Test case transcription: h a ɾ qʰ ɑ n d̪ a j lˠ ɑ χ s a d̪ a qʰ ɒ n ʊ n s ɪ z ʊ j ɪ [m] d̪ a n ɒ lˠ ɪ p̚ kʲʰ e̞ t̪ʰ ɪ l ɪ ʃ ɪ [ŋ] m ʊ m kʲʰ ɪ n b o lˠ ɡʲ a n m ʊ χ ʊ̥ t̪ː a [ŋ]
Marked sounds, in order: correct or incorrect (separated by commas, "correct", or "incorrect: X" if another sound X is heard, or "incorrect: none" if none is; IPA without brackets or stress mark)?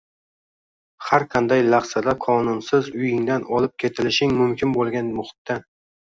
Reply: incorrect: ŋ, correct, incorrect: n